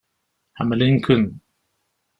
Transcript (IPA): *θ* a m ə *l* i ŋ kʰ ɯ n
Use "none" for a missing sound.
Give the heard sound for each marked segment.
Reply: h, l

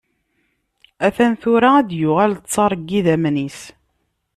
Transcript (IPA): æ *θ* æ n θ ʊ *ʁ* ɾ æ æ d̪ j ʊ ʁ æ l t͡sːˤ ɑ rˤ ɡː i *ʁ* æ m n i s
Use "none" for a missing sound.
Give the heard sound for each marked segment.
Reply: θ, none, ð

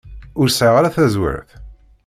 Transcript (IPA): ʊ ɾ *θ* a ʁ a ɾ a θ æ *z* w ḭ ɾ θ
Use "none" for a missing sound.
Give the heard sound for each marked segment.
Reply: s, z

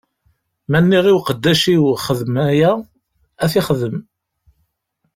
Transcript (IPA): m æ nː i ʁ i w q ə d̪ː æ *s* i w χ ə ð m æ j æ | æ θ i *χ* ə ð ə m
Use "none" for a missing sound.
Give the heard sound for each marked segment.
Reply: ʃ, χ

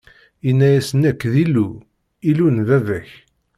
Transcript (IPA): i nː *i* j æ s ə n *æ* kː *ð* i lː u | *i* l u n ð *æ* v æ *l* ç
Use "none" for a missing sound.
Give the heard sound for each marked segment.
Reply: æ, æ, ð, i, æ, none

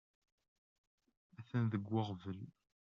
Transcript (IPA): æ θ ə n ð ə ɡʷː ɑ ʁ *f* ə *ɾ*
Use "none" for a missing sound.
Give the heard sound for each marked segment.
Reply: v, l

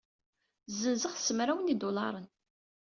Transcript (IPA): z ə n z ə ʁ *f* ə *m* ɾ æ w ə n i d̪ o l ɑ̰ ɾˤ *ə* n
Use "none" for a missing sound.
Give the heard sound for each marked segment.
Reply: s, m, ə

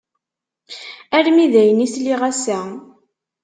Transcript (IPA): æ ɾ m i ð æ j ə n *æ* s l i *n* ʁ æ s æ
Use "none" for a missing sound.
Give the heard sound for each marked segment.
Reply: i, none

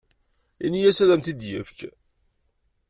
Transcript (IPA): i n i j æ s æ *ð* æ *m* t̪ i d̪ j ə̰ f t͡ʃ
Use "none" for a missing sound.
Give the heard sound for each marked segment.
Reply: ð, m

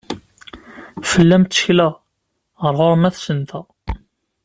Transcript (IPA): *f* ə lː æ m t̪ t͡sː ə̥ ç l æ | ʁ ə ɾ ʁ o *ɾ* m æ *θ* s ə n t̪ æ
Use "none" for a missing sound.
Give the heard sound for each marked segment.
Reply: f, ɾ, θ

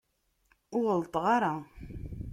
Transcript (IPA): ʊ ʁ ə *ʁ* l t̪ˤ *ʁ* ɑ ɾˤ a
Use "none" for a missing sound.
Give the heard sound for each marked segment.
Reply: none, ʁ

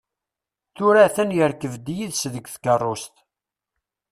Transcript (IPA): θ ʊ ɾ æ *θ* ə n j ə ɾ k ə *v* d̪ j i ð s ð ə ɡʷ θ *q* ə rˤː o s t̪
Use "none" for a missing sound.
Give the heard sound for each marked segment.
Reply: θ, v, k

